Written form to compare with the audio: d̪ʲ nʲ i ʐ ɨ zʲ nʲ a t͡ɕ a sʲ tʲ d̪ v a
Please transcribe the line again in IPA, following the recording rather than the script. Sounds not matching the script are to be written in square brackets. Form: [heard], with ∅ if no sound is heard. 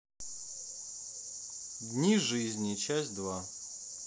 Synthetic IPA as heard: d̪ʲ nʲ i ʐ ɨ zʲ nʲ [i] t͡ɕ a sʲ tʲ d̪ v a